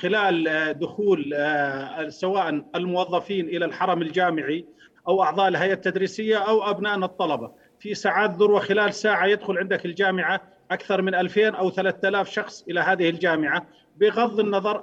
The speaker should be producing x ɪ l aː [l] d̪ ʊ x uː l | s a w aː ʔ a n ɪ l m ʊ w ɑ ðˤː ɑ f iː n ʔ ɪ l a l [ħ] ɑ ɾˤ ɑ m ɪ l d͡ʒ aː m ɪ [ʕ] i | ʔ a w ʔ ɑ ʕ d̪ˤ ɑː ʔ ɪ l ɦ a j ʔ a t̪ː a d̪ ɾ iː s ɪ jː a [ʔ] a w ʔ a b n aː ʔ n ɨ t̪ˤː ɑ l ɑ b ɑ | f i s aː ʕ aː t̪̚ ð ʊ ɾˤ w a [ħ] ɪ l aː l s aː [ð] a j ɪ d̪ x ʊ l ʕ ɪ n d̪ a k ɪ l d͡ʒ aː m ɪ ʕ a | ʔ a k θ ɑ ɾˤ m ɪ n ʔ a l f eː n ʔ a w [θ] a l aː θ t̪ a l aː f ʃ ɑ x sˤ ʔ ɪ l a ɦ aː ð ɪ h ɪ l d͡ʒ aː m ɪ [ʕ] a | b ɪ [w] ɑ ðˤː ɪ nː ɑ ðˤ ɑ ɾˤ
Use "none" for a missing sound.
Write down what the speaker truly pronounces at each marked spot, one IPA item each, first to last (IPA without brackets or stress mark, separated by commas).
l, ħ, ʕ, ʔ, x, ʕ, θ, ʕ, ɣ